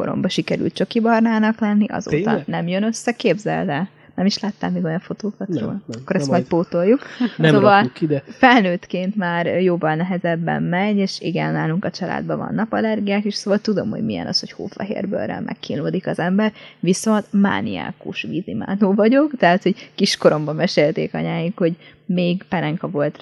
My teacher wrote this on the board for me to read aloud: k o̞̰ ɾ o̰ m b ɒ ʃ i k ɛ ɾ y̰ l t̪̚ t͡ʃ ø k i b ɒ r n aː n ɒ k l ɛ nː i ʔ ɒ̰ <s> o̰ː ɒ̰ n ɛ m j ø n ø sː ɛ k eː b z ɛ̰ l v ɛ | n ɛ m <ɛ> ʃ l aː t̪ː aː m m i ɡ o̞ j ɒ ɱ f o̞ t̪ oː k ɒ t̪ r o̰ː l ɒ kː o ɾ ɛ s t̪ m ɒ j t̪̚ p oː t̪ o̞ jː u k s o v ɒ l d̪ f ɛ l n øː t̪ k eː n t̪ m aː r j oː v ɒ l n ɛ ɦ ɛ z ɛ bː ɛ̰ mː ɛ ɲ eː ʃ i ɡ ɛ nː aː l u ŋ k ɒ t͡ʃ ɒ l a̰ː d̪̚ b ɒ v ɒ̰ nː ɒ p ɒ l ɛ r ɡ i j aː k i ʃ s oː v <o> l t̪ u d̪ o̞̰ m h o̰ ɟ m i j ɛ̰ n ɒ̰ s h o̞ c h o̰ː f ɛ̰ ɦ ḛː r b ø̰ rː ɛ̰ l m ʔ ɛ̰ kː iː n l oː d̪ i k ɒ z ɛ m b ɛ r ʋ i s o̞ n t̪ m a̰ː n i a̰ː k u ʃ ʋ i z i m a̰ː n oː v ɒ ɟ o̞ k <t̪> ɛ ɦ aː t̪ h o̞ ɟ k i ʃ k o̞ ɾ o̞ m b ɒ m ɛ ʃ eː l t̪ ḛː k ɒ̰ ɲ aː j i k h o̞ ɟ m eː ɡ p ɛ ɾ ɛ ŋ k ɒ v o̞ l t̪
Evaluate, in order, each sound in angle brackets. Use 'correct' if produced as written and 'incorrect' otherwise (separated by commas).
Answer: incorrect, incorrect, incorrect, correct